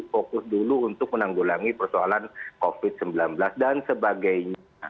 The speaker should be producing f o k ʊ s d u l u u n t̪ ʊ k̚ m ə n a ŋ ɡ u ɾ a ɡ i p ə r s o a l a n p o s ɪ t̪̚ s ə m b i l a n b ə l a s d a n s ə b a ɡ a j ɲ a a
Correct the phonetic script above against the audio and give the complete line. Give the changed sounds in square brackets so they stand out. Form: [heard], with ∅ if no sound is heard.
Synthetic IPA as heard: f o k ʊ s d u l u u n t̪ ʊ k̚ m ə n a ŋ ɡ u [l] a [ŋ] i p ə r s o a l a n [k] o [f] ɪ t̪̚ s ə m b i l a n b ə l a s d a n s ə b a ɡ a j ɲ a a